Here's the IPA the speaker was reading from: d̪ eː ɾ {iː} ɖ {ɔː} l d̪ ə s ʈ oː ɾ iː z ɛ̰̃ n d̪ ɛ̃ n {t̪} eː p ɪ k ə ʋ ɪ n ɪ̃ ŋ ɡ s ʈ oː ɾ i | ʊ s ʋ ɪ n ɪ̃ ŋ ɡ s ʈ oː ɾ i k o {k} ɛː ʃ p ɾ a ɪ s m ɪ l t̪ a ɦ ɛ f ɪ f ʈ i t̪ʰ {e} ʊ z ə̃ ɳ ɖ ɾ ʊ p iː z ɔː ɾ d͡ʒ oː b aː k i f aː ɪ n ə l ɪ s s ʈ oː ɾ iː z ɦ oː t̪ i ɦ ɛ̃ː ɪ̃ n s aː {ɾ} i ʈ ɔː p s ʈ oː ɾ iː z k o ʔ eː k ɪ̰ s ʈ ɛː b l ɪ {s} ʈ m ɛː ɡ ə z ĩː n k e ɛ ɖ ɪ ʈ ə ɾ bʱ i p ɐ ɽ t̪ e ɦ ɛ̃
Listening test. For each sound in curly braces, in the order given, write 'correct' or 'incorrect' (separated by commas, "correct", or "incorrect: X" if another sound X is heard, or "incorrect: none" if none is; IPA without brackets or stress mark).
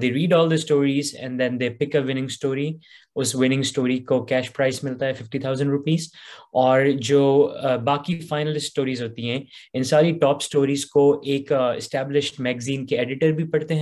correct, correct, incorrect: d̪, correct, incorrect: a, correct, incorrect: ʃ